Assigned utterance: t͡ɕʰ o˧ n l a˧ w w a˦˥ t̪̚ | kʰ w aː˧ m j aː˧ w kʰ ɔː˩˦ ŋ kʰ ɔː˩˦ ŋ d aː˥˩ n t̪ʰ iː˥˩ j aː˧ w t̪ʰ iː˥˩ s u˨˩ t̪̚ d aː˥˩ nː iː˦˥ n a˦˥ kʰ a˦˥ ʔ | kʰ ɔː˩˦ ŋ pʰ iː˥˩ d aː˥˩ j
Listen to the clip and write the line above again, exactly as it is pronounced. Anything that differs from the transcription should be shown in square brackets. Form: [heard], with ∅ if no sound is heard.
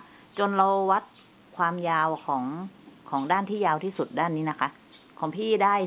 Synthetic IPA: [t͡ɕ] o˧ n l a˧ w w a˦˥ t̪̚ | kʰ w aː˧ m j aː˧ w kʰ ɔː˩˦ ŋ kʰ ɔː˩˦ ŋ d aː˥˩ n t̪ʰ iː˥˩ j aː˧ w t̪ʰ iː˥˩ s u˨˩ t̪̚ d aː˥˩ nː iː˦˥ n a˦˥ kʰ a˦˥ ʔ | kʰ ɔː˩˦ ŋ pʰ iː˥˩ d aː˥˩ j